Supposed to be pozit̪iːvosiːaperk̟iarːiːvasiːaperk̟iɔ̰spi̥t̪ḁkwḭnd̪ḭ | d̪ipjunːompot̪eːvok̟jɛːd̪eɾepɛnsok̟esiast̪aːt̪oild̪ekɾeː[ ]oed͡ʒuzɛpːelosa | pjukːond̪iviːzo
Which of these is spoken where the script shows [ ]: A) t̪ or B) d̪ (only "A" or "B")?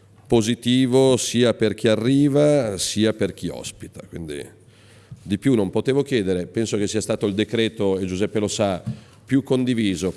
A